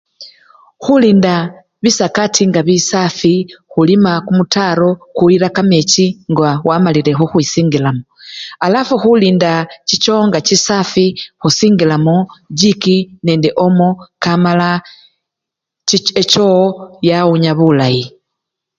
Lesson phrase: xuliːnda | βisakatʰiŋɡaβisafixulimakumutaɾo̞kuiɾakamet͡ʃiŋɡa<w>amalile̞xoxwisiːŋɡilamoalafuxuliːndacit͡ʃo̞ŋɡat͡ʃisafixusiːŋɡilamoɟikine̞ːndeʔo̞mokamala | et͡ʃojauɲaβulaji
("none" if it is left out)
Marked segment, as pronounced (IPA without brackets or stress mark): w